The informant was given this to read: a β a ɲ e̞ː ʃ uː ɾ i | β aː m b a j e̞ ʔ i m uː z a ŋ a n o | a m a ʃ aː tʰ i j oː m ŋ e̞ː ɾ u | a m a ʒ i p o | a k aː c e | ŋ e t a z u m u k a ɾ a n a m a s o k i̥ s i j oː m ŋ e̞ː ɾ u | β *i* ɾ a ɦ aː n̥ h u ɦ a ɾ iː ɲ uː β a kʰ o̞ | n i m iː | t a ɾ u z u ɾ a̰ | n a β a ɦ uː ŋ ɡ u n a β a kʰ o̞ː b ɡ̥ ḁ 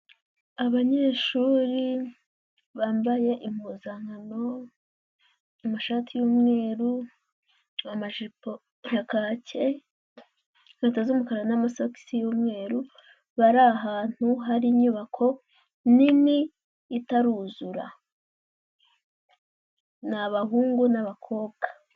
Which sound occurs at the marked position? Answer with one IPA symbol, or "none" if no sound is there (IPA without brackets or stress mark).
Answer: a